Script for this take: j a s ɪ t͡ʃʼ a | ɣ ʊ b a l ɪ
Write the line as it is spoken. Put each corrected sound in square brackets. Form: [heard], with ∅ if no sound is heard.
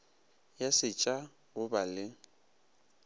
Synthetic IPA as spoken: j a s ɪ t͡ʃʼ a | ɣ ʊ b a l ɪ